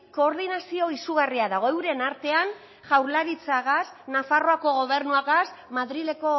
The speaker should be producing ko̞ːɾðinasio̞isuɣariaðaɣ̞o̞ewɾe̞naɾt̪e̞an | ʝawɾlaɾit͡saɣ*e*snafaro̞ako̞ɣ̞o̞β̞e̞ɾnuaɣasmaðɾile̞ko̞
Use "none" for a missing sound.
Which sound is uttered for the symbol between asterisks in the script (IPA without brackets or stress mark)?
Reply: a